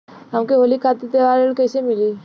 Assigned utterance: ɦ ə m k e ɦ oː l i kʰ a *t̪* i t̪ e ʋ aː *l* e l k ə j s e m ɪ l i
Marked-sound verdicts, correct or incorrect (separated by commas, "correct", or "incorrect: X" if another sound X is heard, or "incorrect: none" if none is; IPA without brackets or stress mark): correct, incorrect: ɾ